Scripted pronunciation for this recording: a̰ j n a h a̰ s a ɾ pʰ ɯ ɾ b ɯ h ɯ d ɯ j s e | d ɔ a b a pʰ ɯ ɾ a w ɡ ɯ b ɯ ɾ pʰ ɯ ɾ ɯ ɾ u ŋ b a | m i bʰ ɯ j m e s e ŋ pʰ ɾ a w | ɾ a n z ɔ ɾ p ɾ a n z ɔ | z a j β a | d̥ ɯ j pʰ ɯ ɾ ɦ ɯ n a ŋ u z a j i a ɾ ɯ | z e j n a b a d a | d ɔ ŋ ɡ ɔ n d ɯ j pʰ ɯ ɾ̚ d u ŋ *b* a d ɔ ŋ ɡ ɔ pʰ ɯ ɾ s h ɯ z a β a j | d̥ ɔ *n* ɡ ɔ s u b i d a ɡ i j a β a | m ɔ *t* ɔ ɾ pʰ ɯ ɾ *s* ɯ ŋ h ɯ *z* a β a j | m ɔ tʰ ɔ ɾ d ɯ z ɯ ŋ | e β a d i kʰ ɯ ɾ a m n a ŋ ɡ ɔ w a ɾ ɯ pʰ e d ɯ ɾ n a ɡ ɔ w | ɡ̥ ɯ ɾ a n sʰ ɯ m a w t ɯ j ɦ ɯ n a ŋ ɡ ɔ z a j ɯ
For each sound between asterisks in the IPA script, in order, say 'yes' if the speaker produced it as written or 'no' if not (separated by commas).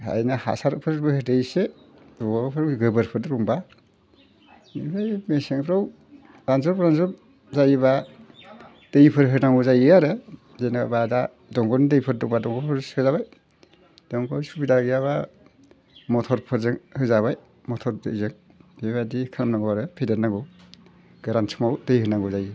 yes, no, no, no, yes